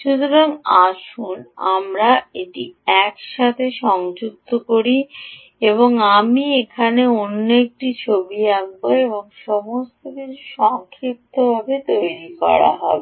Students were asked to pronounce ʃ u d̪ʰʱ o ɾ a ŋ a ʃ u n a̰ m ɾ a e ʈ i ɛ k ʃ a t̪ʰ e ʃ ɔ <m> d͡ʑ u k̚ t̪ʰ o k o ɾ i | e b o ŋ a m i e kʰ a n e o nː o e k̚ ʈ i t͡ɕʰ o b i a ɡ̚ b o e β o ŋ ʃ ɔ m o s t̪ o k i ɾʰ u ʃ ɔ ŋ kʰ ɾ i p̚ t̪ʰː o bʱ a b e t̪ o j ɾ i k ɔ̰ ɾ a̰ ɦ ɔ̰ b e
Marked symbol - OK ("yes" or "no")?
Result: no